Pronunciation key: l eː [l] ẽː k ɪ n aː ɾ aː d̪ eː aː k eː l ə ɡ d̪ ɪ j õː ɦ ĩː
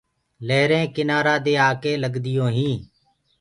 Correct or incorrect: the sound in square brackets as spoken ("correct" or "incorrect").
incorrect